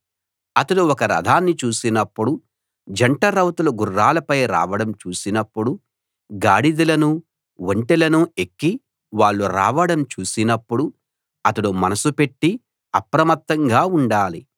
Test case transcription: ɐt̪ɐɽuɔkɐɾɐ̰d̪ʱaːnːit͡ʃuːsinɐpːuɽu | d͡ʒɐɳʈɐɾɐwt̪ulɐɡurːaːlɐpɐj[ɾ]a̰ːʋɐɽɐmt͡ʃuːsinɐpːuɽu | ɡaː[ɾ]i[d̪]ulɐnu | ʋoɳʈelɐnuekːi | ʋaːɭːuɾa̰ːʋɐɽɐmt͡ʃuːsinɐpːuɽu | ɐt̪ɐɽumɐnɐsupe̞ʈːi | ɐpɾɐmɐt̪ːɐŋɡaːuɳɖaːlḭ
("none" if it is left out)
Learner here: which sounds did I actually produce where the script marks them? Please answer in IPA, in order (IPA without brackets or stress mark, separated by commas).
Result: ɾ, ɽ, d̪